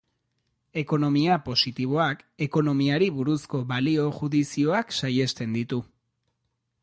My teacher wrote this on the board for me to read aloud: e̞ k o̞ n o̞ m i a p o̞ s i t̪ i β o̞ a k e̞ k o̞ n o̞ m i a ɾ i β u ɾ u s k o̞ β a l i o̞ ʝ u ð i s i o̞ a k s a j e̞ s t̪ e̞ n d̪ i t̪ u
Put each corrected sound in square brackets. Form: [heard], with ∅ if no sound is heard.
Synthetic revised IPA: e̞ k o̞ n o̞ m i a p o̞ s i t̪ i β o̞ a k e̞ k o̞ n o̞ m i a ɾ i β u ɾ u s k o̞ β a l i o̞ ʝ u ð i s i o̞ a k s a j e̞ s t̪ e̞ n d̪ i t̪ u